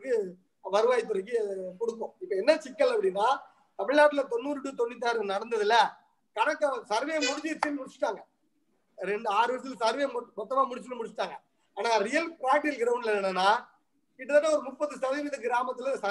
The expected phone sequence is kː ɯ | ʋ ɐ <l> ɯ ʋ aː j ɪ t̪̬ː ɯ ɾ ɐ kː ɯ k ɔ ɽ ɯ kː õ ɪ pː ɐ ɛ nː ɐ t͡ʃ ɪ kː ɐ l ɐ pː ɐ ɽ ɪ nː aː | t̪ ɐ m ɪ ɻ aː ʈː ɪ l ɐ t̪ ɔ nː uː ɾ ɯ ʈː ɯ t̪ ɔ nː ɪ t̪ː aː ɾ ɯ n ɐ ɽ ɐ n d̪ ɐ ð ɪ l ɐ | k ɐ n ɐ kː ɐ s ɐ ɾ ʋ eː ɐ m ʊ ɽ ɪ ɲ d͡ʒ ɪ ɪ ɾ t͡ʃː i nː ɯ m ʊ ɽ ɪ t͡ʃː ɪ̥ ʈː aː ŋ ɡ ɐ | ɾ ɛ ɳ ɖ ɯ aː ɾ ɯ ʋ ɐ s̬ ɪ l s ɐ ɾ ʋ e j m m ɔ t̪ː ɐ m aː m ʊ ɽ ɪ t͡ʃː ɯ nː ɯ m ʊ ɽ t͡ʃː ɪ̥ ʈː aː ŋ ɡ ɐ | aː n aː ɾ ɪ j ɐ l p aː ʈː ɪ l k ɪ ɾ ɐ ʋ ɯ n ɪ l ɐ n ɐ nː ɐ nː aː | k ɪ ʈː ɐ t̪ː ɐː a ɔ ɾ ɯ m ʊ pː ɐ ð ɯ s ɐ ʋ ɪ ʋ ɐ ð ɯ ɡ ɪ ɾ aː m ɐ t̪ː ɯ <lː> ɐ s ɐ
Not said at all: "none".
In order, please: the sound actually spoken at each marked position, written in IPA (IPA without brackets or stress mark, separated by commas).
ɾ, l